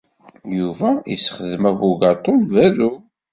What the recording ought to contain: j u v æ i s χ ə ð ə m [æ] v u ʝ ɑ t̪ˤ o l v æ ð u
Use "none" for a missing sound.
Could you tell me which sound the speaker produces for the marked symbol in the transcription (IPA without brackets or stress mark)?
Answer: æ